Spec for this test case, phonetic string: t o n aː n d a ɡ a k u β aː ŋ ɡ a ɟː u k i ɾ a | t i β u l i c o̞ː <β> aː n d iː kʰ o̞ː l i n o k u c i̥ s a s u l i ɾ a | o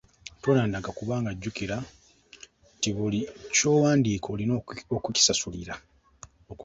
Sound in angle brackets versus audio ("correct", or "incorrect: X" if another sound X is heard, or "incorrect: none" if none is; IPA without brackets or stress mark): incorrect: w